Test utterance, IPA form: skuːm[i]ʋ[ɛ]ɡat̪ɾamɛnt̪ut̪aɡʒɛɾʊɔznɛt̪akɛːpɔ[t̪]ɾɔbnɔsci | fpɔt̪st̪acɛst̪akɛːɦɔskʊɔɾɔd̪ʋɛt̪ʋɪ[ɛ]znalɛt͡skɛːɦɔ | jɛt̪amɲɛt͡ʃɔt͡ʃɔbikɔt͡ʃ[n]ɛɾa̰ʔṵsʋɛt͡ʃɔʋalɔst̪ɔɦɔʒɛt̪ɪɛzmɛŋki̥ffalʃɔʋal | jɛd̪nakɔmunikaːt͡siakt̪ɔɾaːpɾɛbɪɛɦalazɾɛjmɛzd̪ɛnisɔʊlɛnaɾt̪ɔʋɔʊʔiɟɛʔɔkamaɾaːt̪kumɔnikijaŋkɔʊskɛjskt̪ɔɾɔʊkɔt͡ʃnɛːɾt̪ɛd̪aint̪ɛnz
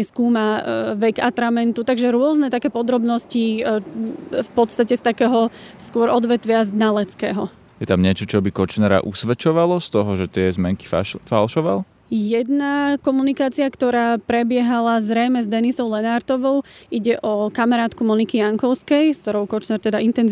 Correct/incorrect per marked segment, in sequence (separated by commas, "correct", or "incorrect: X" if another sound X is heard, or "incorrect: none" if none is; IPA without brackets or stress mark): incorrect: a, correct, incorrect: d̪, incorrect: a, correct